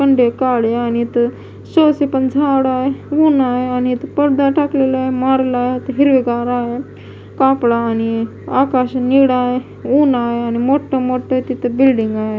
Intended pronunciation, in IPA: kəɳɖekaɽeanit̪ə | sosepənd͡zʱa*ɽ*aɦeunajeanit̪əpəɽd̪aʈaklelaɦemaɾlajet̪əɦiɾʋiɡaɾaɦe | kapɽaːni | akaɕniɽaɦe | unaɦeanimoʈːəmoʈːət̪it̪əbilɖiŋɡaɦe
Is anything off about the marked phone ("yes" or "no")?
no